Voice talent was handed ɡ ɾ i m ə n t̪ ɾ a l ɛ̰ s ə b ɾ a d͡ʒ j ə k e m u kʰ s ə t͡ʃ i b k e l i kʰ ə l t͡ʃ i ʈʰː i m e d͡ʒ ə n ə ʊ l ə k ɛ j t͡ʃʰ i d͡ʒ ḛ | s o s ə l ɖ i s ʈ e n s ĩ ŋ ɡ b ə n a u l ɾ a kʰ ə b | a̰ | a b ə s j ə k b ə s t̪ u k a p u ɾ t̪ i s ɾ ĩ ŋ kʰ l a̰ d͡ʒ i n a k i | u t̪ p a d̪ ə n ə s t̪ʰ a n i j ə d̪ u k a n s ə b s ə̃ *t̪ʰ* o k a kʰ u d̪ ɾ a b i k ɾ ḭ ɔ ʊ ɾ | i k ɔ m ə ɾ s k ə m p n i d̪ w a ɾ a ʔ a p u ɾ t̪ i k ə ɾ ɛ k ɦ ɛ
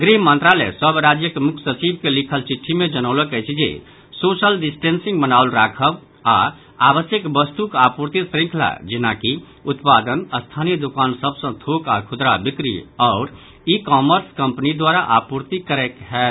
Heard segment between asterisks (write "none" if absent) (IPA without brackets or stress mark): t̪ʰ